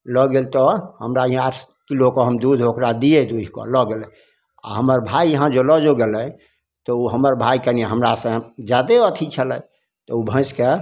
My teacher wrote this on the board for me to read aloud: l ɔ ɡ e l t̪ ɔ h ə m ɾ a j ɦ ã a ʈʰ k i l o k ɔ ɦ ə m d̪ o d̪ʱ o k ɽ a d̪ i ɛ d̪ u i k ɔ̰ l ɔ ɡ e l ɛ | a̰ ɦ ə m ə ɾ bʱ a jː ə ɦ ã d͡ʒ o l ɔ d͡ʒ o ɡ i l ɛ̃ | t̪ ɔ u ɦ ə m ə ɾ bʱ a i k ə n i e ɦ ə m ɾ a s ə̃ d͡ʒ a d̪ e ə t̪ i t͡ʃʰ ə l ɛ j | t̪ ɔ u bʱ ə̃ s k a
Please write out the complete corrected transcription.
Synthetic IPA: l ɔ ɡ e l t̪ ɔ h ə m ɾ a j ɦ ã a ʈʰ k i l o k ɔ ɦ ə m d̪ u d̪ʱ o k ɾ a d̪ i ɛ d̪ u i k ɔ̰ l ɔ ɡ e l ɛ | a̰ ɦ ə m ə ɾ bʱ a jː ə ɦ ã d͡ʒ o l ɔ d͡ʒ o ɡ e l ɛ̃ | t̪ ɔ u ɦ ə m ə ɾ bʱ a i k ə n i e ɦ ə m ɾ a s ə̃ d͡ʒ a d̪ e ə t̪ʰ i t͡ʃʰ ə l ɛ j | t̪ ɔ u bʱ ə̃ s k e

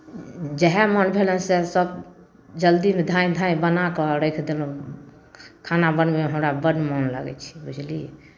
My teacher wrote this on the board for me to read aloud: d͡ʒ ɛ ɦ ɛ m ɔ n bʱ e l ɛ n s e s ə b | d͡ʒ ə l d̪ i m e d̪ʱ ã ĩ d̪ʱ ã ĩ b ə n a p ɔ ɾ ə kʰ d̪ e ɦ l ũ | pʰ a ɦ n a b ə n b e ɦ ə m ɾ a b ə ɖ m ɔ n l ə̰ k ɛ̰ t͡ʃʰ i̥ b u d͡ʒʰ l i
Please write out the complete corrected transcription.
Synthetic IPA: d͡ʒ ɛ ɦ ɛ m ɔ n bʱ e l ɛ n s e s ə b | d͡ʒ ə l d̪ i m e d̪ʱ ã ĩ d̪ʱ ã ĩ b ə n a k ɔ ɾ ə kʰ d̪ e l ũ | kʰ a n a b ə n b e ɦ ə m ɾ a b ə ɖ m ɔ n l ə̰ ɡ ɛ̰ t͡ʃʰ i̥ b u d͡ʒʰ l i

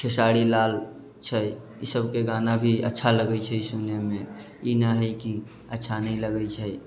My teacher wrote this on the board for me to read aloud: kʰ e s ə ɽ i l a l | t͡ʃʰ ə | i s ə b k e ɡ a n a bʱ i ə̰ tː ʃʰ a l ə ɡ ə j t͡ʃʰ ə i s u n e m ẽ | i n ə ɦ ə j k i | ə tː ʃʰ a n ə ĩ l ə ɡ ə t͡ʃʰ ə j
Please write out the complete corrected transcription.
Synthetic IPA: kʰ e s a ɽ i l a l | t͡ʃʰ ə | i s ə b k e ɡ a n a bʱ i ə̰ tː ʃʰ a l ə ɡ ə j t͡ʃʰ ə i s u n e m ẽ | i n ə ɦ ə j k i | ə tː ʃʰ a n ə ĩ l ə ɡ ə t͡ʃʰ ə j

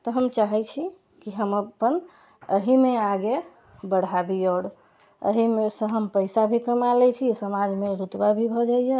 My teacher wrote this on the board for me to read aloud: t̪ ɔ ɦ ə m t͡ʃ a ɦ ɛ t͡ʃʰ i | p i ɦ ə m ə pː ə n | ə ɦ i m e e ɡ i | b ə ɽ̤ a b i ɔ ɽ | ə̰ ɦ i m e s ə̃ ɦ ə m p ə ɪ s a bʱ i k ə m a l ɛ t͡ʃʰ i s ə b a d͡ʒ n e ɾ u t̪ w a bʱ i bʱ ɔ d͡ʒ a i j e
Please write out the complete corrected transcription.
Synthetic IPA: t̪ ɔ ɦ ə m t͡ʃ a ɦ ɛ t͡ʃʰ i | k i ɦ ə m ə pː ə n | ə ɦ i m e a ɡ e | b ə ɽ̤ a b i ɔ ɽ | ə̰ ɦ i m e s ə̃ ɦ ə m p ə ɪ s a bʱ i k ə m a l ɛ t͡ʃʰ i s ə m a d͡ʒ m e ɾ u t̪ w a bʱ i bʱ ɔ d͡ʒ a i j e

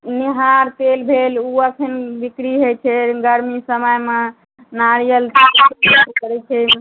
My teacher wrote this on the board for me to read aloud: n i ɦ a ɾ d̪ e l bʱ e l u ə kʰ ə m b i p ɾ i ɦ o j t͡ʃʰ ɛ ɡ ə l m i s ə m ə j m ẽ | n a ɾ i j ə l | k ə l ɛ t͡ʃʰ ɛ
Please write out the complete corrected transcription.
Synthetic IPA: n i ɦ a ɾ t̪ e l bʱ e l u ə kʰ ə n b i k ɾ i ɦ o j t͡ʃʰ ɛ ɡ ə ɾ m i s ə m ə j m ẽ | n a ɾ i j ə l | k ə ɾ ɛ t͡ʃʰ ɛ

